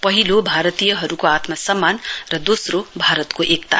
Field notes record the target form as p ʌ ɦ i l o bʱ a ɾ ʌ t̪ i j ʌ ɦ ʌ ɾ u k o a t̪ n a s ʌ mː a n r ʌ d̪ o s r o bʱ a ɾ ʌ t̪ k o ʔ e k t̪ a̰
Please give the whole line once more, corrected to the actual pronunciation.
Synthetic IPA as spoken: p ʌ ɦ i l o bʱ a ɾ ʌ t̪ i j ʌ ɦ ʌ ɾ u k o a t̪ m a s ʌ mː a n r ʌ d̪ o s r o bʱ a ɾ ʌ t̪ k o ʔ e k t̪ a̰